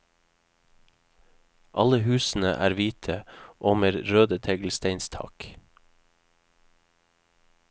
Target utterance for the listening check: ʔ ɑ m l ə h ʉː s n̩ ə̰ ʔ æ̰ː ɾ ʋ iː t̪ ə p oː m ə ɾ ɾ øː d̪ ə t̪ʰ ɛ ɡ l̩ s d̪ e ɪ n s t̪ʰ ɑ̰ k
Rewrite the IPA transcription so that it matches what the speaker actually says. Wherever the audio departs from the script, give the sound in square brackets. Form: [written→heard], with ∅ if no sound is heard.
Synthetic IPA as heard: ʔ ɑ [m→∅] l ə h ʉː s n̩ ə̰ ʔ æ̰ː ɾ ʋ iː [t̪→t̪ʰ] ə [p→ʔ] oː m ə ɾ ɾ øː d̪ ə t̪ʰ ɛ ɡ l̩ s [d̪→t̪] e ɪ n s t̪ʰ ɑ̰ k